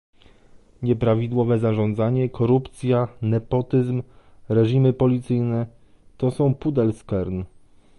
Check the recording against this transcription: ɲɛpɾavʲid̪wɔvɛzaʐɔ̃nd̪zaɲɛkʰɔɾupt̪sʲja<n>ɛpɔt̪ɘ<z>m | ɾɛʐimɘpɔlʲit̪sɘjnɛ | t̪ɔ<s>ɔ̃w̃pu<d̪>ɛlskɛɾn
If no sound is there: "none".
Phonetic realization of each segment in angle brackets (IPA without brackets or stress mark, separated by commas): n, z, s, d̪